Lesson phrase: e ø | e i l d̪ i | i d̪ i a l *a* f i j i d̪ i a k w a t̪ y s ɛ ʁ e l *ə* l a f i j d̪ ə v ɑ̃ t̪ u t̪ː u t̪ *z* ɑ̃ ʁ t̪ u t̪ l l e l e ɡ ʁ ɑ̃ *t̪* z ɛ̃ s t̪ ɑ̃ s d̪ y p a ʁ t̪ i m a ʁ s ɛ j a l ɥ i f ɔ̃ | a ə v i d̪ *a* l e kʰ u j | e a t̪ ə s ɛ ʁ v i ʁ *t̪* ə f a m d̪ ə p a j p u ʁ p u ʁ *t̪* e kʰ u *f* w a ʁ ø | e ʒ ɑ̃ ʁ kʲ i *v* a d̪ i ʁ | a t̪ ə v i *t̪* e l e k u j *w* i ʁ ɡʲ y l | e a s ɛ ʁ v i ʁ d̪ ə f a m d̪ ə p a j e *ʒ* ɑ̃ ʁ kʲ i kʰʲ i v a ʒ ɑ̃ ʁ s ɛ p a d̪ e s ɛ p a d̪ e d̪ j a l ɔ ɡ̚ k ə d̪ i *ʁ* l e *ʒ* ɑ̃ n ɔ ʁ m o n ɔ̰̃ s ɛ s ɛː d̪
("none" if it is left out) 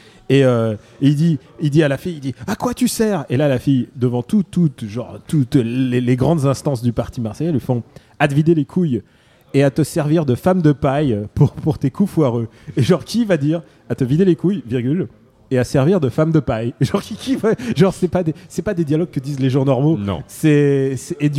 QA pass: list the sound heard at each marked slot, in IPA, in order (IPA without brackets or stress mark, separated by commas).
a, a, ʒ, d̪, e, d̪, t̪, f, v, d̪, v, ʒ, z, ʒ